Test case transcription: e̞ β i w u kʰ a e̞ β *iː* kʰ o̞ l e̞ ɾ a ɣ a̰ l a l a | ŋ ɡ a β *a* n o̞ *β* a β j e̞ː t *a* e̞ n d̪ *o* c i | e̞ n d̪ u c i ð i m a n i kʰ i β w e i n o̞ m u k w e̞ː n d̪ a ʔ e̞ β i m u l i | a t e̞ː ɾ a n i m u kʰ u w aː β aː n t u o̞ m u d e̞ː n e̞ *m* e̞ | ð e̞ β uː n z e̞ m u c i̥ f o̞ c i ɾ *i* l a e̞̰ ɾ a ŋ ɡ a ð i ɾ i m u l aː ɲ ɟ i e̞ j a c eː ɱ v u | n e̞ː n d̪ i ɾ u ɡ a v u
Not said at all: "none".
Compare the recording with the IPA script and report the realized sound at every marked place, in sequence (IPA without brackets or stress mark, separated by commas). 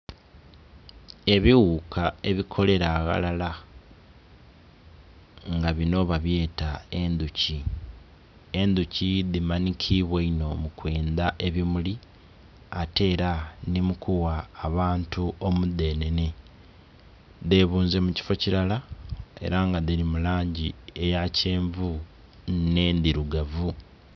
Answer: i, i, β, a, u, n, a